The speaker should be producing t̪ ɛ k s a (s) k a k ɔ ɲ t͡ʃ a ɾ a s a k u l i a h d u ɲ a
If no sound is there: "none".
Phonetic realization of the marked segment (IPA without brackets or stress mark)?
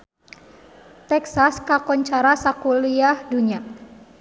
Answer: s